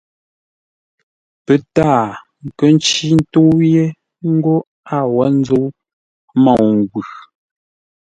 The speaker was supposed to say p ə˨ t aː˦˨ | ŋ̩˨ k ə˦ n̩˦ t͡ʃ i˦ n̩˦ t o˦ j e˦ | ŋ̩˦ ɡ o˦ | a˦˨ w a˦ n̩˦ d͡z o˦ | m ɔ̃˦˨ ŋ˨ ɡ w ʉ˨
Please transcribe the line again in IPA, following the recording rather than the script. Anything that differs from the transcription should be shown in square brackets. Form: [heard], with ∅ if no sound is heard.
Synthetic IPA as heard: p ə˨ t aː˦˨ | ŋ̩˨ k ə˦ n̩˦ t͡ʃ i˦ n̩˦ t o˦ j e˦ | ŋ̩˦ ɡ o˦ | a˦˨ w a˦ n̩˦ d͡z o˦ | m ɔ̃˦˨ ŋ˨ ɡ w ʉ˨